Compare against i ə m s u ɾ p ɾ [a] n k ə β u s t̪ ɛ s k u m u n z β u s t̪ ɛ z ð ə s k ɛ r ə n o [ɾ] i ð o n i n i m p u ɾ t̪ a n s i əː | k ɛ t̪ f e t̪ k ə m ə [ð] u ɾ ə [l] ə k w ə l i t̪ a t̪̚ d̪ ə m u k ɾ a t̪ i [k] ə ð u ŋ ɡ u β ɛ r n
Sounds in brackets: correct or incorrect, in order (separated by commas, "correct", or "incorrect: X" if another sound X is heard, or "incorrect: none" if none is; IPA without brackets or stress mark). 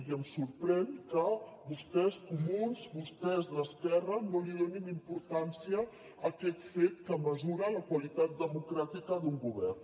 incorrect: ɛ, incorrect: l, incorrect: z, correct, correct